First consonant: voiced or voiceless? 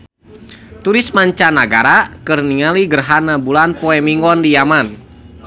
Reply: voiceless